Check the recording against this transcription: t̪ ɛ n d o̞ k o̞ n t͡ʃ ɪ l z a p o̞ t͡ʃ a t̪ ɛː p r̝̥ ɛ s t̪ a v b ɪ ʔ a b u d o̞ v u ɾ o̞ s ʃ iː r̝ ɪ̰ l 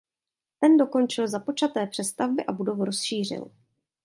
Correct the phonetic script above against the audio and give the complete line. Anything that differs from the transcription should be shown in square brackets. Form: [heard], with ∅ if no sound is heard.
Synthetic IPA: t̪ ɛ n d o̞ k o̞ n t͡ʃ ɪ l z a p o̞ t͡ʃ a t̪ ɛː p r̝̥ ɛ s t̪ a v b ɪ ʔ a b u d o̞ v u ɾ o̞ s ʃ iː r̝ ɪ̰ l